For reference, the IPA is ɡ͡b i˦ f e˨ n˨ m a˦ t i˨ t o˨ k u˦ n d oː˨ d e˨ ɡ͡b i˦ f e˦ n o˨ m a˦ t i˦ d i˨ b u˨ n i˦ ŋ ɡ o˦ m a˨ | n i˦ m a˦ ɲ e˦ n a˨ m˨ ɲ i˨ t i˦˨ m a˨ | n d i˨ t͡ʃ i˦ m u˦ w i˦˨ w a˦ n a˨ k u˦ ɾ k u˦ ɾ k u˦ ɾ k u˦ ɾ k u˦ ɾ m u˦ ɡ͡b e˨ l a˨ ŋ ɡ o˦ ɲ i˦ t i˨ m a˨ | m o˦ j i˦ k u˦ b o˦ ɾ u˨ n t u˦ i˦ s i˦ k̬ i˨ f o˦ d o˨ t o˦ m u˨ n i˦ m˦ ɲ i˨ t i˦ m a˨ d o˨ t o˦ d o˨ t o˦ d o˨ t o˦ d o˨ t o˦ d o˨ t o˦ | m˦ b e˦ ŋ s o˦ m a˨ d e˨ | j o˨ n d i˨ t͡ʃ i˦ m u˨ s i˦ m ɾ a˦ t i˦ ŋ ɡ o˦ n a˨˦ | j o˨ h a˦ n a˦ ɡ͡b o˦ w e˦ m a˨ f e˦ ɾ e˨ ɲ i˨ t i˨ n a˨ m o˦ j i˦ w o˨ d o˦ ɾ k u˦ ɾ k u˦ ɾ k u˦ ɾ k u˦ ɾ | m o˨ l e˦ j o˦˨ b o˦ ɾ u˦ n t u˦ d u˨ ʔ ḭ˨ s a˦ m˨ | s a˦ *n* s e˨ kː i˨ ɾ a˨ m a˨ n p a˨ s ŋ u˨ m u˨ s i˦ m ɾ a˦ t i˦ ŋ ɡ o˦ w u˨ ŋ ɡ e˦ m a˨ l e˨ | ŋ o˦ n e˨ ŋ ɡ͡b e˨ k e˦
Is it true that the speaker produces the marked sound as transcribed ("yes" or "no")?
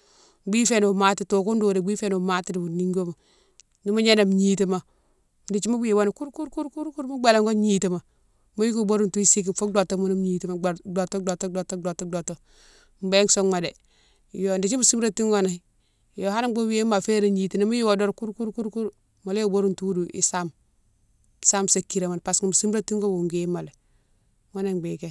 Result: no